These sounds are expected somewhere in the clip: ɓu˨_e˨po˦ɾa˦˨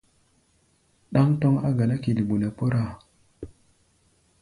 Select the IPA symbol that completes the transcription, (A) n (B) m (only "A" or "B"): A